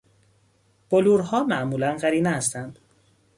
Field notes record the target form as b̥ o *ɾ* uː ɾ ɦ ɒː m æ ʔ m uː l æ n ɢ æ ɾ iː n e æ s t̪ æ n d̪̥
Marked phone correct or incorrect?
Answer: incorrect